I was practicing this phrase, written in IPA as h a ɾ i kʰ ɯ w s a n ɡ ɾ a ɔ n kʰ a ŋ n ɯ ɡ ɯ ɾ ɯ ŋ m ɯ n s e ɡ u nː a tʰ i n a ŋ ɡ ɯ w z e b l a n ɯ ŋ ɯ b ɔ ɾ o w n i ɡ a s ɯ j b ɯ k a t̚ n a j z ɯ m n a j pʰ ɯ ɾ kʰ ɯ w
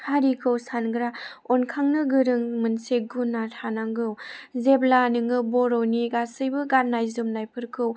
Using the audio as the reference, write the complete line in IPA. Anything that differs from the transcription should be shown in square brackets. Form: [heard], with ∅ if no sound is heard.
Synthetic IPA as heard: h a ɾ i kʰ ɯ w s a n ɡ ɾ a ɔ n kʰ a ŋ n ɯ ɡ ɯ ɾ ɯ ŋ m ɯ n s e ɡ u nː a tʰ [a] n a ŋ ɡ ɯ w z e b l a n ɯ ŋ ɯ b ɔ ɾ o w n i ɡ a s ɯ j b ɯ [ɡ] a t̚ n a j z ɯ m n a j pʰ ɯ ɾ kʰ ɯ w

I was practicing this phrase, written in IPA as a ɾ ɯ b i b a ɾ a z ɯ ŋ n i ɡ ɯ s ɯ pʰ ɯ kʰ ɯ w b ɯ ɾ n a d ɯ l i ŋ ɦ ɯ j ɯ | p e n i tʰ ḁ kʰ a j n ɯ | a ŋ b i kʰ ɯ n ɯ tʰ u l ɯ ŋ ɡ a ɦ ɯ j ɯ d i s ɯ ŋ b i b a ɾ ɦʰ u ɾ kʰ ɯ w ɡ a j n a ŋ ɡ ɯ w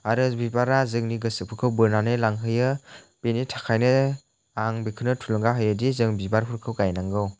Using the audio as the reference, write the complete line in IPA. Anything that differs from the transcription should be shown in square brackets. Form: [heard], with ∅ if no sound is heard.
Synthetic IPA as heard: a ɾ ɯ b i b a ɾ a z ɯ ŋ n i ɡ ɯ s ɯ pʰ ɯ kʰ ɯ w b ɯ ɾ n a [n] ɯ l [a] ŋ ɦ ɯ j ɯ | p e n i tʰ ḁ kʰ a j n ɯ | a ŋ b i kʰ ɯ n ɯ tʰ u l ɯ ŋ ɡ a ɦ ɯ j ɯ d i [z] ɯ ŋ b i b a ɾ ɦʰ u ɾ kʰ ɯ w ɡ a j n a ŋ ɡ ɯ w

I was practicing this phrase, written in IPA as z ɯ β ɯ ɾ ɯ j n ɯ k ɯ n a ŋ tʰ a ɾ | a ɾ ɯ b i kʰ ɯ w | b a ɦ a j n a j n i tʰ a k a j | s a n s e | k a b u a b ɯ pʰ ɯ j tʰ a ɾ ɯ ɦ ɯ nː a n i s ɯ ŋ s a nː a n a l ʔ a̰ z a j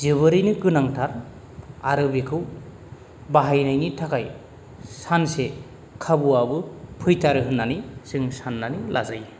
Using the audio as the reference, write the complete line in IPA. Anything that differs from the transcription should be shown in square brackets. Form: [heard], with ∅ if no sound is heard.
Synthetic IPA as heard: z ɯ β ɯ ɾ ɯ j n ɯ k ɯ n a ŋ tʰ a ɾ | a ɾ ɯ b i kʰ ɯ w | b a ɦ a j n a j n i tʰ a k a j | s a n s e | [kʰ] a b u a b ɯ pʰ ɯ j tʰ a ɾ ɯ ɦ ɯ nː a n i s ɯ ŋ s a nː a n [i] l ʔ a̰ z a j

